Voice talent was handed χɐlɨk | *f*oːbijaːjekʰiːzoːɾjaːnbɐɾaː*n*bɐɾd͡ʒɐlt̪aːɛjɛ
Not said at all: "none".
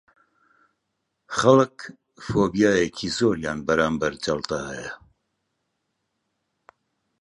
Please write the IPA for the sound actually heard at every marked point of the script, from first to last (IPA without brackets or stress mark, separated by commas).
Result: f, m